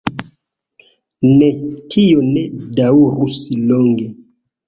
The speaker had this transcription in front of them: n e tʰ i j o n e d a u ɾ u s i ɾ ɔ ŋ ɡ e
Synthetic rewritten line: n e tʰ i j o n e d a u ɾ u s i l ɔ ŋ ɡ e